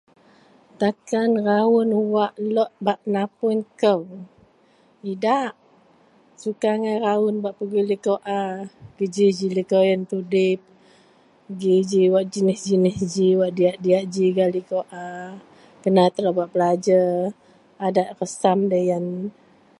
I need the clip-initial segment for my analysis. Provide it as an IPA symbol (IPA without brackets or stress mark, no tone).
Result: t̪